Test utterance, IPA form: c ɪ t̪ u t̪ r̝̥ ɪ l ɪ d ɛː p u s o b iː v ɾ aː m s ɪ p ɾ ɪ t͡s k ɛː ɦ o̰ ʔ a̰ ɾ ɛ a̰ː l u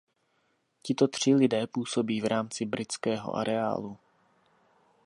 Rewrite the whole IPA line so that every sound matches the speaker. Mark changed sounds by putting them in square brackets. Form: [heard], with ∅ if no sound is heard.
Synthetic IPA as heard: c ɪ t̪ [o] t̪ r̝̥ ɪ l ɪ d ɛː p [uː] s o b iː v ɾ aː m [t͡s] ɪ [b] ɾ ɪ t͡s k ɛː ɦ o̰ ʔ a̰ ɾ ɛ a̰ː l u

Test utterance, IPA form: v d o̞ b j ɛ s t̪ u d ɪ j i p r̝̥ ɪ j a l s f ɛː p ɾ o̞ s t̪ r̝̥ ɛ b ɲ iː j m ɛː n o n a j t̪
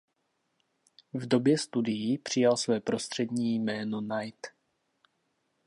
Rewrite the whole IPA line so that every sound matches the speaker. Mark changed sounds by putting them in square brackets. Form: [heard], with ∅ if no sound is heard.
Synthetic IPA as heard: v d o̞ b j ɛ s t̪ u d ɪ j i p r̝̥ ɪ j a l s [v] ɛː p ɾ o̞ s t̪ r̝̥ ɛ [d] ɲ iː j m ɛː n o n a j t̪

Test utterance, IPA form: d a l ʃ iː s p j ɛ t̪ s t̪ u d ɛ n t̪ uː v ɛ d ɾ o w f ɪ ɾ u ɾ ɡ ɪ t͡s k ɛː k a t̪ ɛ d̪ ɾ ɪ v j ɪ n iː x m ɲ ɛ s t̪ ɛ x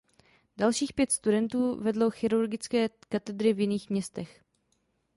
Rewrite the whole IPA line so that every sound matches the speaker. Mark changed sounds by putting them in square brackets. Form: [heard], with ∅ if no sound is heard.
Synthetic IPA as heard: d a l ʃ iː [x] p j ɛ t̪ s t̪ u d ɛ n t̪ uː v ɛ d [l] o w [x] ɪ ɾ u ɾ ɡ ɪ t͡s k ɛː k a t̪ ɛ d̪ ɾ ɪ v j ɪ n iː x m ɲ ɛ s t̪ ɛ x

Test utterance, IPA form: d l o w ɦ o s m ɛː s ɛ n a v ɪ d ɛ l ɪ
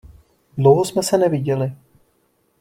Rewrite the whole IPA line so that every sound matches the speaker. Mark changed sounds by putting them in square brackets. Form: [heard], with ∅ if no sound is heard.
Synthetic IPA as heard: d l o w ɦ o s m [ɛ] s ɛ n [ɛ] v ɪ [ɟ] ɛ l ɪ

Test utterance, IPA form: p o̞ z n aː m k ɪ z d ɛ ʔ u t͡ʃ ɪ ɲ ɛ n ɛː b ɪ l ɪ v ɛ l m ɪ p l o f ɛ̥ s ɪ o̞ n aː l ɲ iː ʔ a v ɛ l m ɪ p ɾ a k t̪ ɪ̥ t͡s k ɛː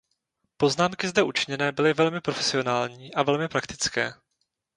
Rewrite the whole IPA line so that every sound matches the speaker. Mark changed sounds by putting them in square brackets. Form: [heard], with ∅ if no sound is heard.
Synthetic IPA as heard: p o̞ z n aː m k ɪ z d ɛ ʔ u t͡ʃ ɪ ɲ ɛ n ɛː b ɪ l ɪ v ɛ l m ɪ p [ɾ] o f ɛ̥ s ɪ o̞ n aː l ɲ iː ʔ a v ɛ l m ɪ p ɾ a k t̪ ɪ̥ t͡s k ɛː

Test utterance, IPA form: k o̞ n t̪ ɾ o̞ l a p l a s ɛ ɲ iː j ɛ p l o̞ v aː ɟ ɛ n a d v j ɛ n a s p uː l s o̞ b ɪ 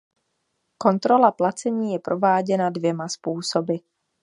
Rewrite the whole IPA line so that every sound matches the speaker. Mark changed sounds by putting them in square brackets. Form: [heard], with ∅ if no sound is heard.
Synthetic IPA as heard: k o̞ n t̪ ɾ o̞ l a p l a [t͡s] ɛ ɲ iː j ɛ p [ɾ] o̞ v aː ɟ ɛ n a d v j ɛ [m] a s p uː [∅] s o̞ b ɪ

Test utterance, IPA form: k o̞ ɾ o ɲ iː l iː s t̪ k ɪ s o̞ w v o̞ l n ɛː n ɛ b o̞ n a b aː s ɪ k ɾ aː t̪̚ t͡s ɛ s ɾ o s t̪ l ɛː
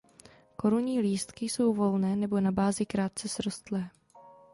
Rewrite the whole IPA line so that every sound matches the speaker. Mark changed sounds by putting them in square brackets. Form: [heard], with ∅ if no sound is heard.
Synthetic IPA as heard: k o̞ ɾ [u] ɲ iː l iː s t̪ k ɪ s o̞ w v o̞ l n ɛː n ɛ b o̞ n a b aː [z] ɪ k ɾ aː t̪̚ t͡s ɛ s ɾ o s t̪ l ɛː

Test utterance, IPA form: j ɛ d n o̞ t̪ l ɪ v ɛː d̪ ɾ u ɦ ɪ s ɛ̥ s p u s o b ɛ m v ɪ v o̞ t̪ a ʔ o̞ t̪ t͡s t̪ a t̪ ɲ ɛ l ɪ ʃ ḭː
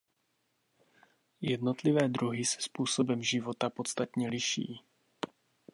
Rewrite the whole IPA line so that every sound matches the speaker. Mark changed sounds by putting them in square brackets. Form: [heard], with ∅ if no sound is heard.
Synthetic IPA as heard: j ɛ d n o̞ t̪ l ɪ v ɛː d̪ ɾ u ɦ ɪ s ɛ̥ s p [uː] s o b ɛ m [ʒ] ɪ v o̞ t̪ a [p] o̞ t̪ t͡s t̪ a t̪ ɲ ɛ l ɪ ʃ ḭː

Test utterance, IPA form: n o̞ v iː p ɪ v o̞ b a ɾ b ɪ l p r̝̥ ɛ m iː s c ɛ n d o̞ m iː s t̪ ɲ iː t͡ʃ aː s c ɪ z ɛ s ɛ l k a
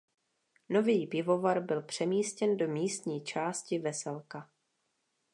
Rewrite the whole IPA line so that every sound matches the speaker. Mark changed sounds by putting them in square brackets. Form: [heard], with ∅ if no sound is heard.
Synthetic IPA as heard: n o̞ v iː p ɪ v o̞ [v] a ɾ b ɪ l p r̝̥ ɛ m iː s c ɛ n d o̞ m iː s t̪ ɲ iː t͡ʃ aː s c ɪ [v] ɛ s ɛ l k a

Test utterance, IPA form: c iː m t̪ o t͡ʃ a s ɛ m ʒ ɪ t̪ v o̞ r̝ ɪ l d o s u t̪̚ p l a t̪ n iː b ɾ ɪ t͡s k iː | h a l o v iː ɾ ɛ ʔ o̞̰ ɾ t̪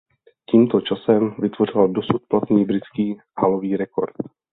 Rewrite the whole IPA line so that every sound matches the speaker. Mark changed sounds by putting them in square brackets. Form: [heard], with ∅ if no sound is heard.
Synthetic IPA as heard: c iː m t̪ o t͡ʃ a s ɛ m [v] ɪ t̪ v o̞ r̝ ɪ l d o s u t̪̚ p l a t̪ n iː b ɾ ɪ t͡s k iː | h a l o v iː ɾ ɛ [k] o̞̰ ɾ t̪

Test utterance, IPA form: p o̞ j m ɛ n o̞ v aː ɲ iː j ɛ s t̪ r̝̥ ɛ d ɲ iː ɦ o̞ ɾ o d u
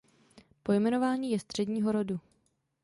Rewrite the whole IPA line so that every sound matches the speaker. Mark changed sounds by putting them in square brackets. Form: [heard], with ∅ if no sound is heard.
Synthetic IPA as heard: p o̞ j m ɛ n o̞ v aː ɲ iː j ɛ s t̪ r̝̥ ɛ d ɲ iː ɦ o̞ ɾ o d u

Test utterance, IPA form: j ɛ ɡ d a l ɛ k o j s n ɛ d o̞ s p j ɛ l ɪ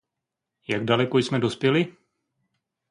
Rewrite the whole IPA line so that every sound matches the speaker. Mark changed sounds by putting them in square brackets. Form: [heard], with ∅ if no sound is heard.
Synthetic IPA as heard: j [a] ɡ d a l ɛ k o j s [m] ɛ d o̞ s p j ɛ l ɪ

